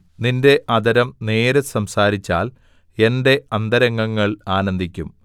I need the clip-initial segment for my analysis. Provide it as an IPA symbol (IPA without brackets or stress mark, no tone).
n